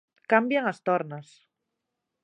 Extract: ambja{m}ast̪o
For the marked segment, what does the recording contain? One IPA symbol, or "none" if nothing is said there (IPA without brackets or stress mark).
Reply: ŋ